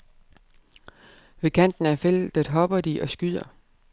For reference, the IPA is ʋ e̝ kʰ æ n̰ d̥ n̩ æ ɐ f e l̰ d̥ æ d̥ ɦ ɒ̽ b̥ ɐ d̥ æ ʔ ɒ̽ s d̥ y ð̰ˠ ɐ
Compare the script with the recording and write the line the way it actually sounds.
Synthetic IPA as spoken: ʋ e̝ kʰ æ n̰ d̥ n̩ æ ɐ f e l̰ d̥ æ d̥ ɦ ɒ̽ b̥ ɐ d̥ i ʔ ɒ̽ s ɡ̥ y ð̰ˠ ɐ